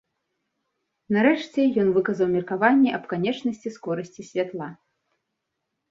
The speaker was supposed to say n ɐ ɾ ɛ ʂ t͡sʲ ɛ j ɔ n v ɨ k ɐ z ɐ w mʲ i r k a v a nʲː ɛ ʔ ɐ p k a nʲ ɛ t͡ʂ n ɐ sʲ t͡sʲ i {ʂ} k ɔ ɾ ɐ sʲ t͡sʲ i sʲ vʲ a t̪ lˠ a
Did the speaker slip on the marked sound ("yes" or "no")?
yes